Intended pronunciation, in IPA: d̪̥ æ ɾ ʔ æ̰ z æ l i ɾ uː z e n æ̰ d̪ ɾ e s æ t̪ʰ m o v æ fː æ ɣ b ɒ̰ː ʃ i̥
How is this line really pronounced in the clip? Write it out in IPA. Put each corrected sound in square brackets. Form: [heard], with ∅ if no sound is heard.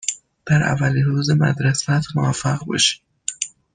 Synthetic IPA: d̪̥ æ ɾ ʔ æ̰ [v] æ l i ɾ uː z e [m] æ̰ d̪ ɾ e s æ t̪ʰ m o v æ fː æ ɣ b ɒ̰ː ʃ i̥